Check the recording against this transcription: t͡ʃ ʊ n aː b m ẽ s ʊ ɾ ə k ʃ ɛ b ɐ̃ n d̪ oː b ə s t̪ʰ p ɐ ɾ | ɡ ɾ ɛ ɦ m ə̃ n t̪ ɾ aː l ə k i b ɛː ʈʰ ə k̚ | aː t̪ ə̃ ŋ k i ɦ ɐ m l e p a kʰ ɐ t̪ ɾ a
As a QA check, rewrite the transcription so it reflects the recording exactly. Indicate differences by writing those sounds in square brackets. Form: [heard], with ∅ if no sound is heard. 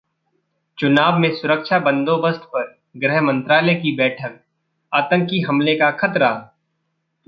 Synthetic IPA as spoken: t͡ʃ ʊ n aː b m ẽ s ʊ ɾ ə k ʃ [a] b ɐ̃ n d̪ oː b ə s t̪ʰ p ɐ ɾ | ɡ ɾ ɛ ɦ m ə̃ n t̪ ɾ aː l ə k i b ɛː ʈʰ ə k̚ | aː t̪ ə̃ ŋ k i ɦ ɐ m l e [k] a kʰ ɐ t̪ ɾ a